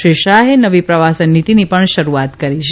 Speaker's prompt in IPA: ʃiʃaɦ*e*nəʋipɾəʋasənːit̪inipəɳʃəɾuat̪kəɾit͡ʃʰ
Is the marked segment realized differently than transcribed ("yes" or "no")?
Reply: no